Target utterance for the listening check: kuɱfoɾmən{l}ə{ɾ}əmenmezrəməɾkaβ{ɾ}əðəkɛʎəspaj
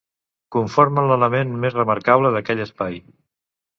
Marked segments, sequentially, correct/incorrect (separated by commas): correct, incorrect, incorrect